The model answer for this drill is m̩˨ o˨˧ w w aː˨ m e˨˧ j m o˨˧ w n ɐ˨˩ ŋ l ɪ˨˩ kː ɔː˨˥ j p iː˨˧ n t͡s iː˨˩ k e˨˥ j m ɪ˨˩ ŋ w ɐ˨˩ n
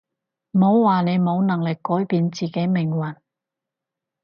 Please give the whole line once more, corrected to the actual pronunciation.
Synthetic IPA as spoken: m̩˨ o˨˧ w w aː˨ n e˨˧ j m o˨˧ w n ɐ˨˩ ŋ l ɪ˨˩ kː ɔː˨˥ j p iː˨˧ n t͡s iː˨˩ k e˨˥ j m ɪ˨˩ ŋ w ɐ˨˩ n